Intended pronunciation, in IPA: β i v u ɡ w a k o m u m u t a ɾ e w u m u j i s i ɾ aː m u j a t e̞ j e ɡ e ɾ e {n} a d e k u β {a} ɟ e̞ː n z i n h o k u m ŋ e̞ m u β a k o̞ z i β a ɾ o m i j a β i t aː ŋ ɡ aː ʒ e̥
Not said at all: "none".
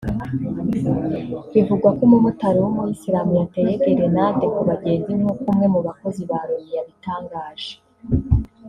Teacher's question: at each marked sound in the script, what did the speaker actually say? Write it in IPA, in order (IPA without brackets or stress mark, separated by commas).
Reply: n, a